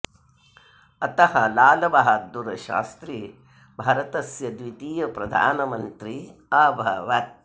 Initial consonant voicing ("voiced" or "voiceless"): voiceless